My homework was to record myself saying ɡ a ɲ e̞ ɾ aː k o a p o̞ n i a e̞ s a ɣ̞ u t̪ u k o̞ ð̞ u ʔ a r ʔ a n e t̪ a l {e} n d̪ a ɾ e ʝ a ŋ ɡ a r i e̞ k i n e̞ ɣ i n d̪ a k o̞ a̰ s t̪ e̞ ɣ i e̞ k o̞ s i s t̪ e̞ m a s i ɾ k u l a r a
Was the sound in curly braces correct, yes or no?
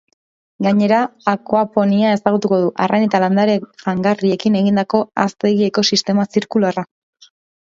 no